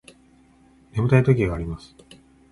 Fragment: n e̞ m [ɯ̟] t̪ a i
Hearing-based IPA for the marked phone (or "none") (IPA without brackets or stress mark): ɯ̟